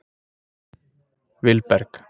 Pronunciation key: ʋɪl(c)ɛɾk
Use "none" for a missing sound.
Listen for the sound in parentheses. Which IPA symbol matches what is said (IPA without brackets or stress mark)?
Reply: p